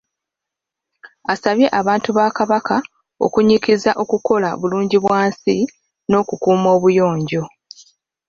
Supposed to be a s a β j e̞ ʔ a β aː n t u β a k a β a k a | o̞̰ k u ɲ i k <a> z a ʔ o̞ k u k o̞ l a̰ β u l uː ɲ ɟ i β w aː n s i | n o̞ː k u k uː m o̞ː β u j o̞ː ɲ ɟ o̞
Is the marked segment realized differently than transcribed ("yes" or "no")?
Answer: yes